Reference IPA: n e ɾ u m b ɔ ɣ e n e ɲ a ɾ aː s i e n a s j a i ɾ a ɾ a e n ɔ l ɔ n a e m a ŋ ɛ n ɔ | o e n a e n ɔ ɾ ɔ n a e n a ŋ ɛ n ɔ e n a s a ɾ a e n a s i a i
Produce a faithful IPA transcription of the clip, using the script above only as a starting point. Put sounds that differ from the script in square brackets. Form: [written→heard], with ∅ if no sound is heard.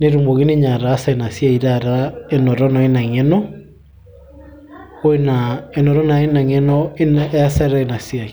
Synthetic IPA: n e ɾ u m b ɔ ɣ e n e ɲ a ɾ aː s [i→a] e n a s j a i ɾ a ɾ a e n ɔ [l→ɾ] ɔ n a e [m→n] a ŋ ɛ n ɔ | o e n a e n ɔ ɾ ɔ n a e n a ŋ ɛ n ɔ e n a s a ɾ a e n a s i a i